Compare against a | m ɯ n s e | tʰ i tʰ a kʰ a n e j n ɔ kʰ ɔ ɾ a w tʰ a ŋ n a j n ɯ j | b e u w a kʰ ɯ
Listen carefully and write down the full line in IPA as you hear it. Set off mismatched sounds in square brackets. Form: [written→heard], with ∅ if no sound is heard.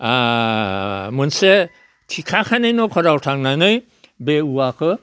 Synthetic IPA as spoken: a | m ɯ n s e | tʰ i [tʰ→kʰ] a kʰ a n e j n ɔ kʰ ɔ ɾ a w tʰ a ŋ n a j n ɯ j | b e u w a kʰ ɯ